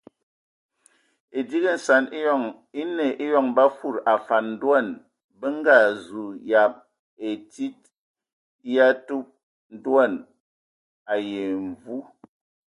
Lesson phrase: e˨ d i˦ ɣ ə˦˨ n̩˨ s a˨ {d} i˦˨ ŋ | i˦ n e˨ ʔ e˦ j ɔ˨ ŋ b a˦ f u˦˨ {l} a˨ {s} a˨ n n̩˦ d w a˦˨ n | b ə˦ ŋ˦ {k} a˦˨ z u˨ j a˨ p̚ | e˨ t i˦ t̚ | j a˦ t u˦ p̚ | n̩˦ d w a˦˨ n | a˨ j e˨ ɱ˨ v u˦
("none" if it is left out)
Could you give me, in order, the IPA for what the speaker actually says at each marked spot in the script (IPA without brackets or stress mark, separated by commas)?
n, ɾ, f, ɡ